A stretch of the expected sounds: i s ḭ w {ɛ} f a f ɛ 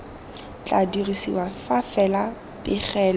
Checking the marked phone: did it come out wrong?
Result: yes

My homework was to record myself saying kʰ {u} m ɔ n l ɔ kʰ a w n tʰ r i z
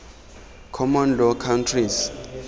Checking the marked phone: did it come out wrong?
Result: yes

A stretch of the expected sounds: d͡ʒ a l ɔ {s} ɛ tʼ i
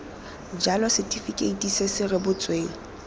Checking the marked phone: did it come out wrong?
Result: no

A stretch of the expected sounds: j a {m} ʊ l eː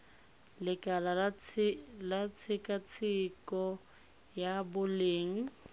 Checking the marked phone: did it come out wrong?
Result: yes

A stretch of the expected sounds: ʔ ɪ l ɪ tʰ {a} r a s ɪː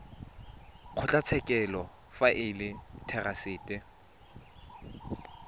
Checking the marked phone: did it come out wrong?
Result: yes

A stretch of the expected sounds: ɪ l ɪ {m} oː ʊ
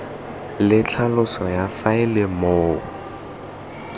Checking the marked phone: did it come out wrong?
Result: no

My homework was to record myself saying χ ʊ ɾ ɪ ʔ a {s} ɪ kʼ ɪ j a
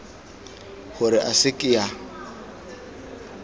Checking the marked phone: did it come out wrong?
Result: no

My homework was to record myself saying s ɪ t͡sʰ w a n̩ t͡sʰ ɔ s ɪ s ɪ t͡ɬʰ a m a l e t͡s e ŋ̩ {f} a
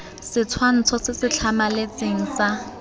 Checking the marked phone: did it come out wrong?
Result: yes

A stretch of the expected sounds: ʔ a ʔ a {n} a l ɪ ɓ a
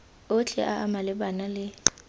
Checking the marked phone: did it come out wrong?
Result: yes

